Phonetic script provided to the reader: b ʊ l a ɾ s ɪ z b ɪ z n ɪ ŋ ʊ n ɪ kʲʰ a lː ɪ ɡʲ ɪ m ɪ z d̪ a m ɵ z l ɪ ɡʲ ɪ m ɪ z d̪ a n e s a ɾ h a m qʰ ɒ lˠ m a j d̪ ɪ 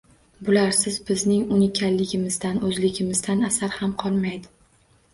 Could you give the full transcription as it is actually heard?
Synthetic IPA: b ʊ l a ɾ s ɪ z b ɪ z n ɪ ŋ ʊ n ɪ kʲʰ a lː ɪ ɡʲ ɪ m ɪ z d̪ a n ɵ z l ɪ ɡʲ ɪ m ɪ z d̪ a n a s a ɾ h a m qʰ ɒ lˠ m a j d̪ ɪ